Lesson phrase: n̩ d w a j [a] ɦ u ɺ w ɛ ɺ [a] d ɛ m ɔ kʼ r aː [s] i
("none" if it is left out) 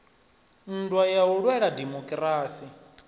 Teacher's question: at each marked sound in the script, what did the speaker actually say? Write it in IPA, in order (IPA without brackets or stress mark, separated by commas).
a, a, s